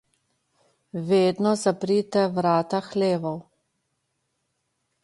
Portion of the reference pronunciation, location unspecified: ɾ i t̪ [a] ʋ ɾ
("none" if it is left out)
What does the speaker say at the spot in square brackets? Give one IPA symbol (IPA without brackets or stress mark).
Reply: ɛ